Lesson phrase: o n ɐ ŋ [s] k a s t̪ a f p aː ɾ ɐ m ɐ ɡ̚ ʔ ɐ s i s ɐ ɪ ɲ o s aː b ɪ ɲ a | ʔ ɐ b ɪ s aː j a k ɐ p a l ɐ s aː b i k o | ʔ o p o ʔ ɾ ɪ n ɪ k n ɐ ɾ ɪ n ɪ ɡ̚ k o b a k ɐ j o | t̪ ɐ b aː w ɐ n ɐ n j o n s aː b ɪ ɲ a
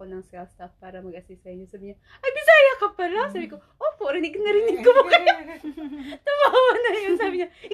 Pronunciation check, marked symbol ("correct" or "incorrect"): correct